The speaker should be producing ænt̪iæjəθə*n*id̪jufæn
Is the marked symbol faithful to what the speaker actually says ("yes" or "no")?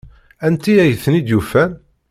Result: yes